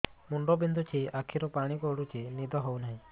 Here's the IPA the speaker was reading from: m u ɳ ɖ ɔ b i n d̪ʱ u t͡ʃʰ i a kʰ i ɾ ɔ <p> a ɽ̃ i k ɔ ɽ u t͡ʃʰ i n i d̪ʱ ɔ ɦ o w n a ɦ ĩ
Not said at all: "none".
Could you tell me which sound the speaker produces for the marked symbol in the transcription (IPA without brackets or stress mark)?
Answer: p